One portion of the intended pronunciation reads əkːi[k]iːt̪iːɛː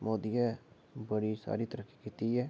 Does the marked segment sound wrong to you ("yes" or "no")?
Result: no